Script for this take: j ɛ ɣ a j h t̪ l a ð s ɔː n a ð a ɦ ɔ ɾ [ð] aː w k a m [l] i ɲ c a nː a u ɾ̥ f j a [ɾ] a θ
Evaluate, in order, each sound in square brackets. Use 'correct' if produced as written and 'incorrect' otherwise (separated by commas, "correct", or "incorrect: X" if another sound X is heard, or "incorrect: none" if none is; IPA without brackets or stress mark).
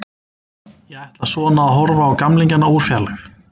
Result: incorrect: v, correct, incorrect: l